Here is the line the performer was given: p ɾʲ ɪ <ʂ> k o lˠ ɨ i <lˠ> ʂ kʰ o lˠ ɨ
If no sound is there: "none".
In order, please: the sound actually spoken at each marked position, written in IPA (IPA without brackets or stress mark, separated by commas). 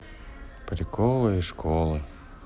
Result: none, none